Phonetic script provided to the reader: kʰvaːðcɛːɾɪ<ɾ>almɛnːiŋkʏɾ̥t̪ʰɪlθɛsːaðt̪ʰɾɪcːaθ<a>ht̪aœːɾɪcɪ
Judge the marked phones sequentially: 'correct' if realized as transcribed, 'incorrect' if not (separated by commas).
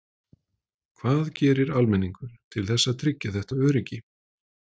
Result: correct, incorrect